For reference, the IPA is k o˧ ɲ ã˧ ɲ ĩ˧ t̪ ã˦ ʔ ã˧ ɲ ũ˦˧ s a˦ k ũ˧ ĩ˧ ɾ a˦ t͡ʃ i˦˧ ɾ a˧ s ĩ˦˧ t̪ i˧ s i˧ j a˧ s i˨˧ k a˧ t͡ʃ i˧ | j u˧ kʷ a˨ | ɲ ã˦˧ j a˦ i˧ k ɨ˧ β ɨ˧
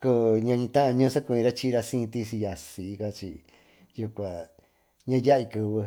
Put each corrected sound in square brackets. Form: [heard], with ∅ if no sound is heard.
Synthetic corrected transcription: k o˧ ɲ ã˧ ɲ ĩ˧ t̪ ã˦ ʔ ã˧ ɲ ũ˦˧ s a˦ k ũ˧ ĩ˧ ɾ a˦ t͡ʃ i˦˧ ɾ a˧ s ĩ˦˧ t̪ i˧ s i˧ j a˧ s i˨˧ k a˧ t͡ʃ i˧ | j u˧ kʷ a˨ | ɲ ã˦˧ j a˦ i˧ k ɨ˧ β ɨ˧